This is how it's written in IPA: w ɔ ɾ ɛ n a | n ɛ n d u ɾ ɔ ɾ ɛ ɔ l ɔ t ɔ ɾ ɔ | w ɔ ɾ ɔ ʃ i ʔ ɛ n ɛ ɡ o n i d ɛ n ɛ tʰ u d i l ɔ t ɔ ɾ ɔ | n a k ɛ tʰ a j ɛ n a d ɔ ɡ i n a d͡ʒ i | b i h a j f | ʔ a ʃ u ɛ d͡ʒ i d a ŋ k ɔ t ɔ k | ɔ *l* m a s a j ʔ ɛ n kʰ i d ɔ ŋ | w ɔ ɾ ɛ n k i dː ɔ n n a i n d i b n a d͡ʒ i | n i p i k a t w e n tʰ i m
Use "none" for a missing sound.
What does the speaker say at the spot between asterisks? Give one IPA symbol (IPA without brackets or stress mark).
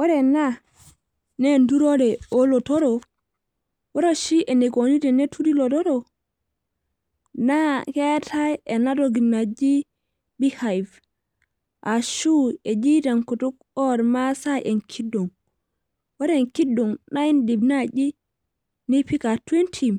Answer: ɾ